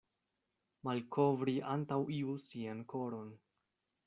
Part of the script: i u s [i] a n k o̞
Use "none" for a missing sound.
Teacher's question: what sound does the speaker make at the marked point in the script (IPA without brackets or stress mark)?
i